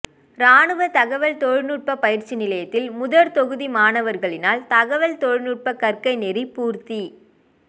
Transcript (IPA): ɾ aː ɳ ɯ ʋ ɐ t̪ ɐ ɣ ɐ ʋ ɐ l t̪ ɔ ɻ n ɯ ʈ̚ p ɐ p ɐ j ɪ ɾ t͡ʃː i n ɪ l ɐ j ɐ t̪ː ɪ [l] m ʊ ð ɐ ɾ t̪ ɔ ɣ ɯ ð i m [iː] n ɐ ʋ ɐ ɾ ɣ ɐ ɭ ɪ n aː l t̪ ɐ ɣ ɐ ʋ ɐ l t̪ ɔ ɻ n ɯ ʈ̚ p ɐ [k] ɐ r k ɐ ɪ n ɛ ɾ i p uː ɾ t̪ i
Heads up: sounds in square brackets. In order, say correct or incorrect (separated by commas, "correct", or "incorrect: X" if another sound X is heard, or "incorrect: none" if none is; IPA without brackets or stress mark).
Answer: correct, incorrect: aː, correct